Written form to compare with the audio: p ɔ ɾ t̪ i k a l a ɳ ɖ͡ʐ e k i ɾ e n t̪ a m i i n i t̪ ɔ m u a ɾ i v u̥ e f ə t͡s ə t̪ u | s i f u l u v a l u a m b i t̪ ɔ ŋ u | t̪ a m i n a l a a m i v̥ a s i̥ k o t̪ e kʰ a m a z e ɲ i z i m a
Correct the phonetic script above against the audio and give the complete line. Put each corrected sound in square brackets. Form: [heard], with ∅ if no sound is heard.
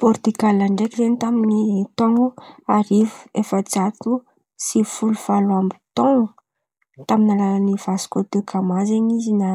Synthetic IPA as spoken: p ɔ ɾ t̪ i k a l a ɳ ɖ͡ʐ e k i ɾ e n t̪ a m i i n i t̪ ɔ [ŋ] u a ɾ i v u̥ e f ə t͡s [a] t̪ u | s i f u l u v a l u a m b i t̪ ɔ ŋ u | t̪ a m i n a l a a [n] i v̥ a s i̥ k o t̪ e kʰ a m a z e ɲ i z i [n] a